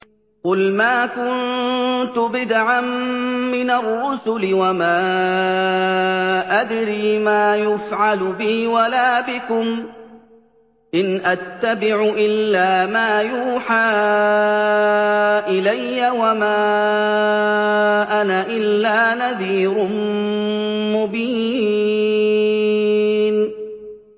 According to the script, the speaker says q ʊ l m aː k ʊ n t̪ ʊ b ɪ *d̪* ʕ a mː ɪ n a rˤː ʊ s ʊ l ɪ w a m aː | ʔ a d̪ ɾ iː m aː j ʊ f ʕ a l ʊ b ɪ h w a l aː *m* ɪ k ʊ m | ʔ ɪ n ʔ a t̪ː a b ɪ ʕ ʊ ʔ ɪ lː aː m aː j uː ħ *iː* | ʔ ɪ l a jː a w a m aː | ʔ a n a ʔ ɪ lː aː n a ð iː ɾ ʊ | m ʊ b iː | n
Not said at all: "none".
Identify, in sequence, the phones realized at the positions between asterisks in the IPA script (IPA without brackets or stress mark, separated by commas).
d̪, b, aː